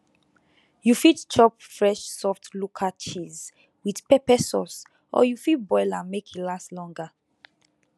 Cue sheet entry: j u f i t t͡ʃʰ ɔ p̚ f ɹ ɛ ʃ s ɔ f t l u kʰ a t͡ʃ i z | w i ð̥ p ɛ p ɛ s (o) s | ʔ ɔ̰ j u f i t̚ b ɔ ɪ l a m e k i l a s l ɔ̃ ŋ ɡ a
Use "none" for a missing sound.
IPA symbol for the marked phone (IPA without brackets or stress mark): ɔ